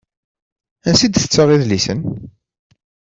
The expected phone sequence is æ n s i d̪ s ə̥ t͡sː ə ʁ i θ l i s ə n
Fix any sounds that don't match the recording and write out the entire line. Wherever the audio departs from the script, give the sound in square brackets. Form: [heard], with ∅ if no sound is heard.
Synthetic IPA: æ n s i d̪ [θ] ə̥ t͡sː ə ʁ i [ð] l i s ə n